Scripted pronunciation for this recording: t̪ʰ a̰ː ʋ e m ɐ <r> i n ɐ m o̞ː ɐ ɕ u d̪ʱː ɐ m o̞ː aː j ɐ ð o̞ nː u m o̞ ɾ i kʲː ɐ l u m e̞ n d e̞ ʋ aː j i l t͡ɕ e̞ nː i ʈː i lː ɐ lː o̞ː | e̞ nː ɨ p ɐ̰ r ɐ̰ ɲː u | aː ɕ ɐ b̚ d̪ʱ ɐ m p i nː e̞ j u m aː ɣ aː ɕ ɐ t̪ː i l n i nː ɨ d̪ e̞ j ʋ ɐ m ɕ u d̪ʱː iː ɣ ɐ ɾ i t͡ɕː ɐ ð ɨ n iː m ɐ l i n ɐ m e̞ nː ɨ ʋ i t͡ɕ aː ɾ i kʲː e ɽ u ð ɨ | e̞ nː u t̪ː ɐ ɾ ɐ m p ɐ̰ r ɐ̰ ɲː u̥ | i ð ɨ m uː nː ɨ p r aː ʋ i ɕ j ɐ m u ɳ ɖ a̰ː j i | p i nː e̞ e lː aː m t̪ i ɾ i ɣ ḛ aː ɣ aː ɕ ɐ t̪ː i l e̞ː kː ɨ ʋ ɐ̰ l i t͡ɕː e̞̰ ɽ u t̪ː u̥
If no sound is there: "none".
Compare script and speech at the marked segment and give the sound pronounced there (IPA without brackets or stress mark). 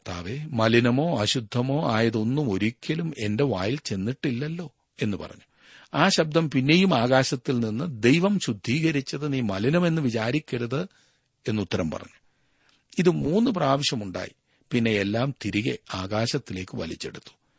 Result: l